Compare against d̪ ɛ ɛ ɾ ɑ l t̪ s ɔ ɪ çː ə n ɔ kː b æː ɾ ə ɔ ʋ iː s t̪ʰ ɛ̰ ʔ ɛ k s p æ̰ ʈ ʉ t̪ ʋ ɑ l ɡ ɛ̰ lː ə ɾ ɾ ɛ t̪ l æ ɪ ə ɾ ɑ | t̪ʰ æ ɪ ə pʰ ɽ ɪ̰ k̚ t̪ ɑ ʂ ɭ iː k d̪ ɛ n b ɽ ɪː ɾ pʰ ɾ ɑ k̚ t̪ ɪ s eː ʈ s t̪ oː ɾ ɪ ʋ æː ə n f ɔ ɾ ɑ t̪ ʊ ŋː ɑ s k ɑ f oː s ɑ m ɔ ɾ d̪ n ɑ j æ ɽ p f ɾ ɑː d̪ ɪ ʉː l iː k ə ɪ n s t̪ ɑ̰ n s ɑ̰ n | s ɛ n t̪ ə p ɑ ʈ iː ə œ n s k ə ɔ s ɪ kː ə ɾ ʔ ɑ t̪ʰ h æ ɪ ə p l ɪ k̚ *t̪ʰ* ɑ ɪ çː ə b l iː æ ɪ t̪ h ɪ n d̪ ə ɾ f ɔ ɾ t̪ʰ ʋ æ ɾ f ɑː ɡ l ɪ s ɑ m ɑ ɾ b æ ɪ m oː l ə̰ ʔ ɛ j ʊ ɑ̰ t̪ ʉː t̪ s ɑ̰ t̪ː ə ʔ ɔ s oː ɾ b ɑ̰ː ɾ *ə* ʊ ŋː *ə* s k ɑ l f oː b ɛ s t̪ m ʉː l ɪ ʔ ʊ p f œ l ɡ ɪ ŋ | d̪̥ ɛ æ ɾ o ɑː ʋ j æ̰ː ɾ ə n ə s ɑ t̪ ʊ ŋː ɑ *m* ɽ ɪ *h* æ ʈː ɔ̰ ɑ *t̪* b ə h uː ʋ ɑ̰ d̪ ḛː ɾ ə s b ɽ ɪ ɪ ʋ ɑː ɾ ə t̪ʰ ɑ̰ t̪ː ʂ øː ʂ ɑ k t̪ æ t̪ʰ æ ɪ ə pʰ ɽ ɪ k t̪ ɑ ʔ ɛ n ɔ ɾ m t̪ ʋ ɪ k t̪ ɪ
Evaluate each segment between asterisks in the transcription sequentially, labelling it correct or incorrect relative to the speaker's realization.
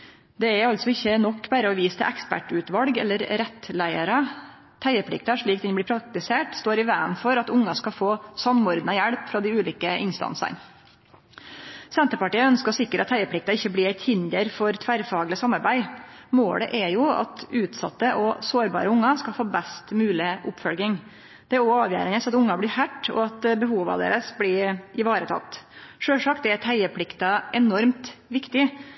incorrect: t̪, correct, incorrect: ɑ, incorrect: b, correct, correct

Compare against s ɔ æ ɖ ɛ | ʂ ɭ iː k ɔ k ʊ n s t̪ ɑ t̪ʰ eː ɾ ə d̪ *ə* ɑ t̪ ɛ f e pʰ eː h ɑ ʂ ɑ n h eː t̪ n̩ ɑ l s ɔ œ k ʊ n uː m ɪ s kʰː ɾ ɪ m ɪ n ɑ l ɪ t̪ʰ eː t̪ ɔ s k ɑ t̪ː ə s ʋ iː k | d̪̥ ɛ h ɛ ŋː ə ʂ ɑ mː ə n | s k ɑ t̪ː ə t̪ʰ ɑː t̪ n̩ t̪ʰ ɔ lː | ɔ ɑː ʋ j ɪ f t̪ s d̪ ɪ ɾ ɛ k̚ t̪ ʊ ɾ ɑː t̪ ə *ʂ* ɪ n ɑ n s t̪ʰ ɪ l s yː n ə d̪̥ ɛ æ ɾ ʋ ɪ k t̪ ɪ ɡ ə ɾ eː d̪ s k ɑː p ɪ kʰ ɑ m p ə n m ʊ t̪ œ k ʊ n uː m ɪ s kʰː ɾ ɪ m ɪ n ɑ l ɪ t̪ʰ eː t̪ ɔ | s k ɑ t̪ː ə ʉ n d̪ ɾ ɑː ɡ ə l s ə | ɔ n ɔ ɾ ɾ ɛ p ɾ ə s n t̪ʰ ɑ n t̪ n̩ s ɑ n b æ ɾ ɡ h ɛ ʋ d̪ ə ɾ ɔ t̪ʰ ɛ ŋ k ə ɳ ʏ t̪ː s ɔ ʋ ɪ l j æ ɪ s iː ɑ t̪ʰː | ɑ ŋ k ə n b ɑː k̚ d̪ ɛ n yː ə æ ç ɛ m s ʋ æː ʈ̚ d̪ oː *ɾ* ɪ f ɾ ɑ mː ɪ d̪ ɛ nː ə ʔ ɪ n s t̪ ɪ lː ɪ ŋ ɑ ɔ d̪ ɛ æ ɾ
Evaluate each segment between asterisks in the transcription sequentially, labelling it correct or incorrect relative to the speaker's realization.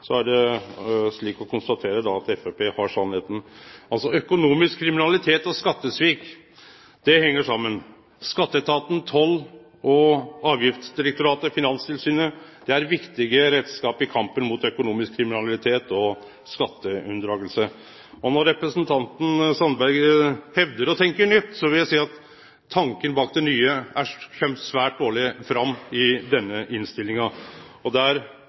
incorrect: ɑ, incorrect: f, incorrect: ɭ

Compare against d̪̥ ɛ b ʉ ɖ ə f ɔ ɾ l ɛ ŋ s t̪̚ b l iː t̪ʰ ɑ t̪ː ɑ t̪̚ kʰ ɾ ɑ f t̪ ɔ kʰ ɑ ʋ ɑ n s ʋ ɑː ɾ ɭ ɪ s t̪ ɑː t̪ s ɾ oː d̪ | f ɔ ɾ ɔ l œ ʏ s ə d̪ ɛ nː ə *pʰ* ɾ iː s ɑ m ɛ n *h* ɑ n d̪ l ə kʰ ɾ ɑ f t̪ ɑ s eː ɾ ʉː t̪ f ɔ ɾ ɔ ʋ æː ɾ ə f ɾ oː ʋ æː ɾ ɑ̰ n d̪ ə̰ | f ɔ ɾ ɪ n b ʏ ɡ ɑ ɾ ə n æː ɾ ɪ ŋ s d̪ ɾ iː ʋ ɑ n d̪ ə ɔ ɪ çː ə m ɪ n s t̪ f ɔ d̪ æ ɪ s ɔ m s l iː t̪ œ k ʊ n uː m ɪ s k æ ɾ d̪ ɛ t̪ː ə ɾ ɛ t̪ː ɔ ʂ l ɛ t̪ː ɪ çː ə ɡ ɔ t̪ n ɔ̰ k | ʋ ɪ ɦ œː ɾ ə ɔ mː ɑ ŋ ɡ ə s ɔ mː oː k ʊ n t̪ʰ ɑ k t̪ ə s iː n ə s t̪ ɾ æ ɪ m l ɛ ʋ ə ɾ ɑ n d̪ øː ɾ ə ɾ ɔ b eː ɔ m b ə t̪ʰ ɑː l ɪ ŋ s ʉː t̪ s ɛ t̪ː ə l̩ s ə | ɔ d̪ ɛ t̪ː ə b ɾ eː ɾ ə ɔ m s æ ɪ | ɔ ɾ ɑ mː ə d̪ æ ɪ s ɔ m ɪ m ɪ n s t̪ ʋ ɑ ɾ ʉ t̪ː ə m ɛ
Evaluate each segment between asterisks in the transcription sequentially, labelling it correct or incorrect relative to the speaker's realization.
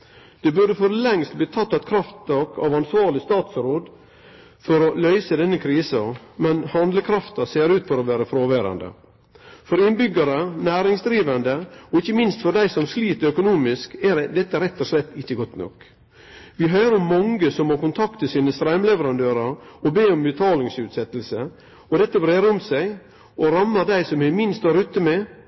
incorrect: kʰ, correct

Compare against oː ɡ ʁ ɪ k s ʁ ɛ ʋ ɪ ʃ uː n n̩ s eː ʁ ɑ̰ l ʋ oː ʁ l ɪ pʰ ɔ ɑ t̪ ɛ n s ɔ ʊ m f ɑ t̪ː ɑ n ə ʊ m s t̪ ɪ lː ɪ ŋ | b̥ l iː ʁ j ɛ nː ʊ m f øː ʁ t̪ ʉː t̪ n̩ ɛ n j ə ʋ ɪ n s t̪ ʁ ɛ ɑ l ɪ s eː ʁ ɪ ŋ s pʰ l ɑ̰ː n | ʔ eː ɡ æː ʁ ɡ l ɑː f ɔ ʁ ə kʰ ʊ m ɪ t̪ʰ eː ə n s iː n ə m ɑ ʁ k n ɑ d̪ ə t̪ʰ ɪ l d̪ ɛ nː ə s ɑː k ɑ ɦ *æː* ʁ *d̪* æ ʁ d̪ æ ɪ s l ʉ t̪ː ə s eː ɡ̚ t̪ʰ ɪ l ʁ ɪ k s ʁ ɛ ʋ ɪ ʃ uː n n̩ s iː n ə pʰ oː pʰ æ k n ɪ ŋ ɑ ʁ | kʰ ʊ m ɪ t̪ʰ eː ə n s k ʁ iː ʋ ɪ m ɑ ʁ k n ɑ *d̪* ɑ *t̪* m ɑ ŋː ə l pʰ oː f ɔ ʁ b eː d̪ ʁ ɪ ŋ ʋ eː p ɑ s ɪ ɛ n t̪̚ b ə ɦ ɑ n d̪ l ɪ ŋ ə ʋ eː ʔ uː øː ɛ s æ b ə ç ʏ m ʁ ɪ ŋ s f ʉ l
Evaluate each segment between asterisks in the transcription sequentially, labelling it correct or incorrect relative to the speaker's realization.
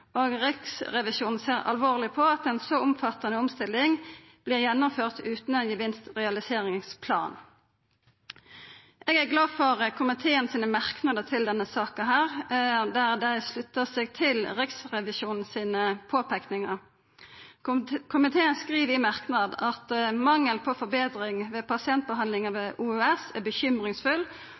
correct, correct, correct, correct

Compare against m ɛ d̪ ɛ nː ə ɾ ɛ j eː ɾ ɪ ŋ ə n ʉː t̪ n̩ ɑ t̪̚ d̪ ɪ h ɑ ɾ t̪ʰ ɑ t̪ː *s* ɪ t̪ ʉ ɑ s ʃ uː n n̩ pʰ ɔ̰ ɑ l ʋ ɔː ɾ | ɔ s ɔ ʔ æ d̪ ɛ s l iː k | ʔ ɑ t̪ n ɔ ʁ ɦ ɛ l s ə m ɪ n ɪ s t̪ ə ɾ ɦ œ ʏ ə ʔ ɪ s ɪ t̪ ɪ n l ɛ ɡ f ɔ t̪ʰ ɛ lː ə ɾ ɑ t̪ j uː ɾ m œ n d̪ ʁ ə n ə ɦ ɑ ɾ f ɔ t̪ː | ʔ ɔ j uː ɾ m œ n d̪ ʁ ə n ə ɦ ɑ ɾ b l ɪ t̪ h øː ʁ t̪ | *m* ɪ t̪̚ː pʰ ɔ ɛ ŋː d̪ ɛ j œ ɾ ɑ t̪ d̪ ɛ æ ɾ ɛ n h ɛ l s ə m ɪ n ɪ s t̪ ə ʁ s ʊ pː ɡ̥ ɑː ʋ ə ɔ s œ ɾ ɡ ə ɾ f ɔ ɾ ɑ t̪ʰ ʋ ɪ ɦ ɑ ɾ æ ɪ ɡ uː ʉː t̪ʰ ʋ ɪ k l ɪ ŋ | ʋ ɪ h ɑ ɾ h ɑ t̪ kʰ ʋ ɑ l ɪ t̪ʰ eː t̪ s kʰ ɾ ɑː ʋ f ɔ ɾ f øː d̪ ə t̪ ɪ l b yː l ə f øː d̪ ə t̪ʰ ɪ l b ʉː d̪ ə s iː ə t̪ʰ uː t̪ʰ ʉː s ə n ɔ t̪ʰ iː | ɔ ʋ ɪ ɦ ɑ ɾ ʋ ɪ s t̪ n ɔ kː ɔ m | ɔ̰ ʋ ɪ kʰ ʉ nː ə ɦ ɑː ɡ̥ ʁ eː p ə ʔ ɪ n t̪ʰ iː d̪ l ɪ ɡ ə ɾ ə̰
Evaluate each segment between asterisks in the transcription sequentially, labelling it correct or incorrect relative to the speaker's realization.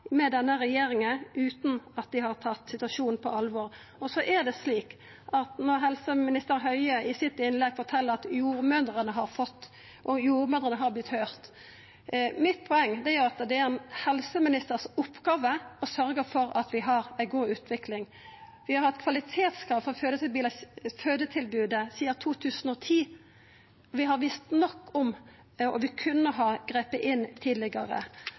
correct, correct

